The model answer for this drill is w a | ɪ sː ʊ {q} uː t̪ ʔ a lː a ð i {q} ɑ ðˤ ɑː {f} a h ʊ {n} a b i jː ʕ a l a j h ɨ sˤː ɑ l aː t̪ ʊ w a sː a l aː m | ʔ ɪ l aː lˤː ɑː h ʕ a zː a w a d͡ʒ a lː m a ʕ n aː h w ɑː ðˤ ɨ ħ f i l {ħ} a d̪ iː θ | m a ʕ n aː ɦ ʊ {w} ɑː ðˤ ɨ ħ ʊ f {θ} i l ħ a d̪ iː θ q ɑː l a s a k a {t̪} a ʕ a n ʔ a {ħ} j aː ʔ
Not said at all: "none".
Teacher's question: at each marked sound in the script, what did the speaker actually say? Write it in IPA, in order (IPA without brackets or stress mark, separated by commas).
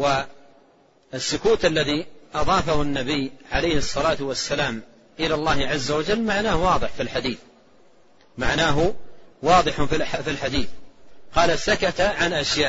k, ʔ, f, nː, ħ, w, f, t̪, ʃ